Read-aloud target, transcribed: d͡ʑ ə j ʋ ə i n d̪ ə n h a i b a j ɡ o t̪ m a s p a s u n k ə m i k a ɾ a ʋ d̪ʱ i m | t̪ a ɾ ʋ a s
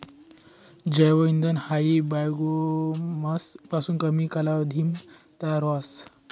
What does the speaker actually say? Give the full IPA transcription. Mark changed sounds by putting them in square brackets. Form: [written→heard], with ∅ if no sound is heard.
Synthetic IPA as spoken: d͡ʑ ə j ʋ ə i n d̪ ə n h a i b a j ɡ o [t̪→∅] m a s p a s [u→uː] n k ə m i k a [ɾ→l] a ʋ d̪ʱ i m | t̪ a ɾ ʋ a s